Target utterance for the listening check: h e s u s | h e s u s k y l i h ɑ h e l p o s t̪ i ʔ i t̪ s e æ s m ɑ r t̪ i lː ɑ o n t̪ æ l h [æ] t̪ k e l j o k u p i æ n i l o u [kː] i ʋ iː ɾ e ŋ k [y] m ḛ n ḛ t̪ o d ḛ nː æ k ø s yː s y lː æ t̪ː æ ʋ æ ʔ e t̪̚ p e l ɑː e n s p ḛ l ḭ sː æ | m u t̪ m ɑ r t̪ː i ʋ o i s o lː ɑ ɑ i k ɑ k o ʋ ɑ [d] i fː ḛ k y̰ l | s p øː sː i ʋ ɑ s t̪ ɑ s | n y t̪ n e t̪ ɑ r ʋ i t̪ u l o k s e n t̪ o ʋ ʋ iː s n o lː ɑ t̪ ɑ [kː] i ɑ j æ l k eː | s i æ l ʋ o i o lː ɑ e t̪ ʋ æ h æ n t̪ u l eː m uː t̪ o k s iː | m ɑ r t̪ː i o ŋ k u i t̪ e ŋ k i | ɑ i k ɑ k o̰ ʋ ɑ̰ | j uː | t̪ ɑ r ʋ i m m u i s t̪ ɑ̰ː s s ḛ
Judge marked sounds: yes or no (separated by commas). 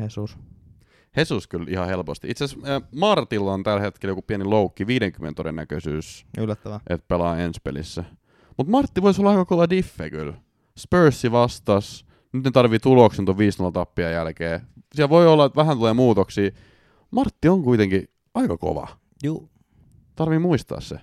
no, yes, yes, yes, no